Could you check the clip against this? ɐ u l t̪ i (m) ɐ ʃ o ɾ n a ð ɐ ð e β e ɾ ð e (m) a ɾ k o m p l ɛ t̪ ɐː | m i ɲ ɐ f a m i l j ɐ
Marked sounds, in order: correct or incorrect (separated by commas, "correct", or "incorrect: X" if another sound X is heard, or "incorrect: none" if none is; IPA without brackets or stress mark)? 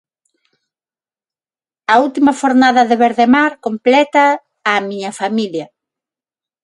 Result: correct, correct